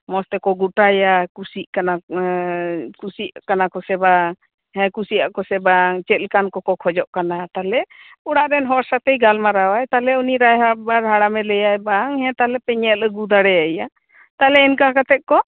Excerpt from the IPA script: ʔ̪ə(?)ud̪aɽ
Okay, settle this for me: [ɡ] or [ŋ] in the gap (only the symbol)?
ɡ